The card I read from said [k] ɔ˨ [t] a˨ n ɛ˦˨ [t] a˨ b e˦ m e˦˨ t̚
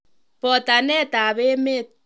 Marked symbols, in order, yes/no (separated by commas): no, yes, yes